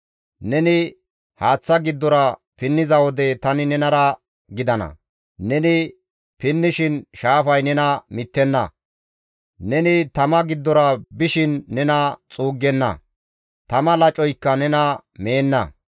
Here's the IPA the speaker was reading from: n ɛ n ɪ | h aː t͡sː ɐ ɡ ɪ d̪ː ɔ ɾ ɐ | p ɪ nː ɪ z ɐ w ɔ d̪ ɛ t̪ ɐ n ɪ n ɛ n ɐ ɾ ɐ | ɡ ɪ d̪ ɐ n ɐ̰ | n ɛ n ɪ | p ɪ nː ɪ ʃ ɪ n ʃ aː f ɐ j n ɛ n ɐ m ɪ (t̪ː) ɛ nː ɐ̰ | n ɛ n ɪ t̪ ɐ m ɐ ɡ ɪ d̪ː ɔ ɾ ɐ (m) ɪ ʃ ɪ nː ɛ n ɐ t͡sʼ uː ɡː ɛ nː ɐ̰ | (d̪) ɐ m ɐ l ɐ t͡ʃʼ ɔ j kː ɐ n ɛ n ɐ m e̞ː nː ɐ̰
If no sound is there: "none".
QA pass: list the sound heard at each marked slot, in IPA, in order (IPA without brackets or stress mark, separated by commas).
t̪ː, b, t̪